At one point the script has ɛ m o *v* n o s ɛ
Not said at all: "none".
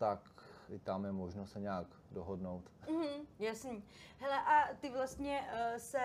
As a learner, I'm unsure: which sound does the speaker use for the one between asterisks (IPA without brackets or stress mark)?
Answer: ʒ